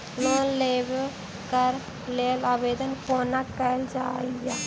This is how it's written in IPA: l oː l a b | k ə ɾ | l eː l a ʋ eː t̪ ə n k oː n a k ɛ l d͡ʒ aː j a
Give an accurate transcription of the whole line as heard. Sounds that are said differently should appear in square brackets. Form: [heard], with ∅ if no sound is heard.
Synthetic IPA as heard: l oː l [e] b | k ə ɾ | l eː l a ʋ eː [d̪] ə n k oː n a k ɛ l d͡ʒ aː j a